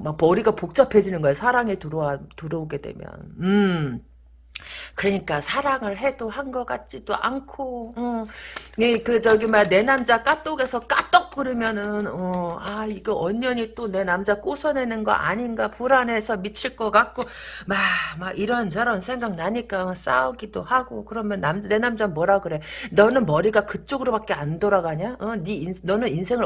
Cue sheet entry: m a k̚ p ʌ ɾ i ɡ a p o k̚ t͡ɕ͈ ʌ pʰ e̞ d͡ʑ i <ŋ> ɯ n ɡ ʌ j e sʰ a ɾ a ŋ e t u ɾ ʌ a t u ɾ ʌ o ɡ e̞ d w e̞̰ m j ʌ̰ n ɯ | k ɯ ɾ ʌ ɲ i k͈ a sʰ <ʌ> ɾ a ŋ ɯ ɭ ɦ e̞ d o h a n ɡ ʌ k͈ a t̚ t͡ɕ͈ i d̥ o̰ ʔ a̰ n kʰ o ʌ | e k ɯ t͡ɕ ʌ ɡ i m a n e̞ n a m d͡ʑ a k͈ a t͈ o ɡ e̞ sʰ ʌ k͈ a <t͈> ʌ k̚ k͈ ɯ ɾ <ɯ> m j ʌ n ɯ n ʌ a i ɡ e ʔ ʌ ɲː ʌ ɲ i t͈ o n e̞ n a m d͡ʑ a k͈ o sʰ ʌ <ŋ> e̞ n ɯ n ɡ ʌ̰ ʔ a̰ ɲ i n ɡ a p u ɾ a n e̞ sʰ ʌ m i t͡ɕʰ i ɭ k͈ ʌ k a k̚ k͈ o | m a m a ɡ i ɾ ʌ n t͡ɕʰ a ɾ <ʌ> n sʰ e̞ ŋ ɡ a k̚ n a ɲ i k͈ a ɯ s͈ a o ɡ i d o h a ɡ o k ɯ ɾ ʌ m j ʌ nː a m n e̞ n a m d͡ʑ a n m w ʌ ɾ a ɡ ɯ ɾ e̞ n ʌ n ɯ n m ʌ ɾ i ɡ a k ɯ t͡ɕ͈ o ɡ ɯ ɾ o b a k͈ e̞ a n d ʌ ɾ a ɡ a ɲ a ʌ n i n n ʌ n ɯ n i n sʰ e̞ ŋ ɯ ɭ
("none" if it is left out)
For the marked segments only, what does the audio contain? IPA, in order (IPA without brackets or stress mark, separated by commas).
n, a, t͈, ɯ, n, ʌ